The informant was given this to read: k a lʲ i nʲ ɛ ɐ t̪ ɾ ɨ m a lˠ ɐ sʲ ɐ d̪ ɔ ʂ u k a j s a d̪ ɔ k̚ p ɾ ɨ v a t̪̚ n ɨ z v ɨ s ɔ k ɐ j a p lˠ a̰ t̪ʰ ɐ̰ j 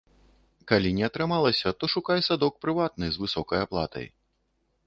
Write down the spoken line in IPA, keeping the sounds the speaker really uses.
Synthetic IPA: k a lʲ i nʲ ɛ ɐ t̪ ɾ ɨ m a lˠ ɐ sʲ ɐ t̪ ɔ ʂ u k a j s a d̪ ɔ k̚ p ɾ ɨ v a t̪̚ n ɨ z v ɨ s ɔ k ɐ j a p lˠ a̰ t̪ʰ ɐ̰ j